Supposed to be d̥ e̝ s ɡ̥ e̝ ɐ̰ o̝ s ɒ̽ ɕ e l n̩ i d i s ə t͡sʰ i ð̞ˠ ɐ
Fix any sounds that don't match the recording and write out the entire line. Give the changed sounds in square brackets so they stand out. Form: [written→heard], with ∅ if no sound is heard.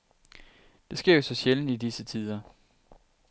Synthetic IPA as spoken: d̥ e̝ s ɡ̥ e̝ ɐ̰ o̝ s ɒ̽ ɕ e l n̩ i d i s ə t͡sʰ i ð̞ˠ ɐ